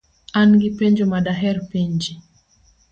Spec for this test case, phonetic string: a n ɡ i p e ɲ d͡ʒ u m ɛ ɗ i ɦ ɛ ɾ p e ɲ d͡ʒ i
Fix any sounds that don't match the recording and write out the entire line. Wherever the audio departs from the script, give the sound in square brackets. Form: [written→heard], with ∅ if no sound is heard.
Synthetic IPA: a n ɡ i p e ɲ d͡ʒ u m [ɛ→a] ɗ [i→a] ɦ ɛ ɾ p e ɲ d͡ʒ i